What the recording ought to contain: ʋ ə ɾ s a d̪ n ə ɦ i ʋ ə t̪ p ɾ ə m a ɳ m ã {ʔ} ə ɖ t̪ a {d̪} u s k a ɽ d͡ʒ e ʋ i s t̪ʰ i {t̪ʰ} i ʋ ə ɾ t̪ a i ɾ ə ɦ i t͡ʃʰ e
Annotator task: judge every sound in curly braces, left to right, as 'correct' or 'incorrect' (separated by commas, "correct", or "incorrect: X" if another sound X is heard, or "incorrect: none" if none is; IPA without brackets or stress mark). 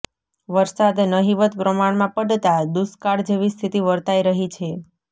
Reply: incorrect: p, correct, incorrect: t̪